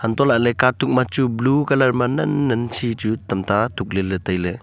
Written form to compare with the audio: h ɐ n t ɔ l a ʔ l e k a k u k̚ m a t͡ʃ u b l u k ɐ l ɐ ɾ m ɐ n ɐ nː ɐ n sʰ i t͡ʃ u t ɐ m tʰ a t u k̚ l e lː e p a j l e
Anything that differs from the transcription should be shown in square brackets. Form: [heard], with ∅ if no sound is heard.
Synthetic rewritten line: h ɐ n t ɔ l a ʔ l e k a [t] u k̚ m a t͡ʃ u b l u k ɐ l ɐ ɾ m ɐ n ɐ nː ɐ n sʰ i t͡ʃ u t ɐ m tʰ a t u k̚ l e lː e [t] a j l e

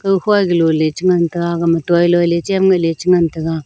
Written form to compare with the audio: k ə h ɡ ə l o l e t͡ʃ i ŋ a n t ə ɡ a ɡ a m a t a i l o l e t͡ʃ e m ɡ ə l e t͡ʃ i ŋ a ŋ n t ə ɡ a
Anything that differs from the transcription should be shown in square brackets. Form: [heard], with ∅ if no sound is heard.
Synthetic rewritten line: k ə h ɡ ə l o l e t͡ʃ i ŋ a n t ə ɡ a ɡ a m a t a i l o l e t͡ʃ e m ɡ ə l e t͡ʃ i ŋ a [∅] n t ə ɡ a

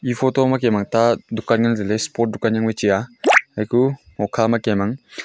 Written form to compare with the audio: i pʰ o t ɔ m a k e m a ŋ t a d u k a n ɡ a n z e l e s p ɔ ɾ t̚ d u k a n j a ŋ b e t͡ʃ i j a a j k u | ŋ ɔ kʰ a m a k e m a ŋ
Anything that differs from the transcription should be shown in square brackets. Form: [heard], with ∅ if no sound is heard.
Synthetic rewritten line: i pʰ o t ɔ m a k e m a ŋ t a d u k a n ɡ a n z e l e s p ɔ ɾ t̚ d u k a n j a ŋ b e t͡ʃ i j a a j k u | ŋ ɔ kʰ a m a k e m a ŋ

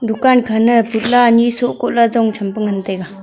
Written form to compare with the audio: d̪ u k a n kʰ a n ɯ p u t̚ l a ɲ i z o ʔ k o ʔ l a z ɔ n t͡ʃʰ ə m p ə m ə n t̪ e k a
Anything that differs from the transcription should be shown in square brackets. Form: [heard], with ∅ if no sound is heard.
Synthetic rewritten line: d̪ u k a n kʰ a n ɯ p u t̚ l a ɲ i [s] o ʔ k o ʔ l a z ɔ [ŋ] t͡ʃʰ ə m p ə [ŋ] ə n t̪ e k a

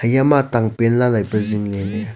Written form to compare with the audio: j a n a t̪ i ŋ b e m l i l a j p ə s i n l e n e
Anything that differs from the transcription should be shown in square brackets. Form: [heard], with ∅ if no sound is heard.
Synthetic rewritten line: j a [m] a t̪ [a] ŋ [p] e [n] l [a] l a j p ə [z] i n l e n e

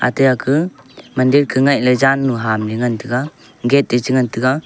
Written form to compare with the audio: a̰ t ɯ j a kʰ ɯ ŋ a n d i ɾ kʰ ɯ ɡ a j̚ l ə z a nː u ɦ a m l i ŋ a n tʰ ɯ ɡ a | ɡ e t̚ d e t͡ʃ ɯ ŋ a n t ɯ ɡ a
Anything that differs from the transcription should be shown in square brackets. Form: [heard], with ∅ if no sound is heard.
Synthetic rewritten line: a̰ t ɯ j a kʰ ɯ [m] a n d i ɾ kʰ ɯ [ŋ] a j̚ l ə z a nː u ɦ a m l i ŋ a n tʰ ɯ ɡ a | ɡ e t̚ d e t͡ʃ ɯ ŋ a n t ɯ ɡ a

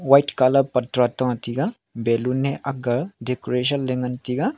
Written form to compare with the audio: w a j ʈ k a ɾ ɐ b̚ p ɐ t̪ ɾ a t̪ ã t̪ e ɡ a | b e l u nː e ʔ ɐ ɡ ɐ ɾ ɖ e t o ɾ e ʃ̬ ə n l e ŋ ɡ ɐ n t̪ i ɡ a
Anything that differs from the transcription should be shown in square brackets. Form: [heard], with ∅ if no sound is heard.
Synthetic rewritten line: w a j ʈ k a [l] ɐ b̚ p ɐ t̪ ɾ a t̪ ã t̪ [i] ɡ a | b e l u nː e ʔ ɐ ɡ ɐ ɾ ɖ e [k] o ɾ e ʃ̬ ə n l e ŋ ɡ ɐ n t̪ i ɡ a

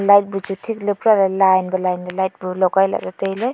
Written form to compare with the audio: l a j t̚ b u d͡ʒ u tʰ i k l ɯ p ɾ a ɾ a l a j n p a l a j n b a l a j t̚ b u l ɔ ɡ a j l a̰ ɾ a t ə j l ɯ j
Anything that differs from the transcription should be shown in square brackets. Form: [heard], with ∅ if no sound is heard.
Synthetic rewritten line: l a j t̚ b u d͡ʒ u tʰ i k l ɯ p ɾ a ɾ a l a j n [b] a l a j n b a l a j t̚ b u l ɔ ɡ a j l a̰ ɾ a t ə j l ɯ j

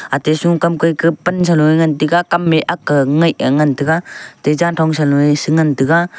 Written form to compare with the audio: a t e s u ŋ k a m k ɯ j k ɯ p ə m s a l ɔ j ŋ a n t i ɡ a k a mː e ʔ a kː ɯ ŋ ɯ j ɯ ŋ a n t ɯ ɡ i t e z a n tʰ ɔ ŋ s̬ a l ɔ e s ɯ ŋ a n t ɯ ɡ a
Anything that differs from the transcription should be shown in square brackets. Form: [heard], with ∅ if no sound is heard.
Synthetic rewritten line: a t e s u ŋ k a m k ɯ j k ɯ p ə [n] s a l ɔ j ŋ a n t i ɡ a k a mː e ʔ a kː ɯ ŋ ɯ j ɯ ŋ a n t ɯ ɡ [a] t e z a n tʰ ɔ ŋ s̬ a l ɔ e s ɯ ŋ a n t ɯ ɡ a

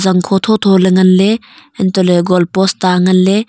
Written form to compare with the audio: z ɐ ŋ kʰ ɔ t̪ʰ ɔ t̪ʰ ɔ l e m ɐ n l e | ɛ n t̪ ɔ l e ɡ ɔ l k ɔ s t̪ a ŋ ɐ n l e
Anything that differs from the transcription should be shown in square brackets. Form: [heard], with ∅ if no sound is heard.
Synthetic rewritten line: z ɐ ŋ kʰ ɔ t̪ʰ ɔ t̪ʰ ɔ l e [ŋ] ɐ n l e | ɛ n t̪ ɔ l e ɡ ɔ l [p] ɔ s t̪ a ŋ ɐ n l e

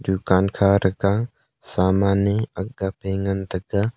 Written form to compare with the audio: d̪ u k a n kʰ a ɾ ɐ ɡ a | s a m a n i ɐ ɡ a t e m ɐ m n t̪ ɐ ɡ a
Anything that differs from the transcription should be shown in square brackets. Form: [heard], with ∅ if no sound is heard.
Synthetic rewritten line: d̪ u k a n kʰ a ɾ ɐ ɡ a | s a m a n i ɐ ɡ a [p] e [ŋ] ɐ [∅] n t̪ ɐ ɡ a

